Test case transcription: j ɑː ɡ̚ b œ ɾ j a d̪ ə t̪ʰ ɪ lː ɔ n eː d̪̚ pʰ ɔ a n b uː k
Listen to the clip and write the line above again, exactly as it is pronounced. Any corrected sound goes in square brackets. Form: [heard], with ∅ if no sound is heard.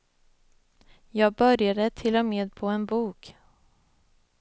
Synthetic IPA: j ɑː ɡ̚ b œ ɾ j a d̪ ə t̪ʰ ɪ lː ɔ [m] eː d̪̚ pʰ ɔ [ɛ] n b uː k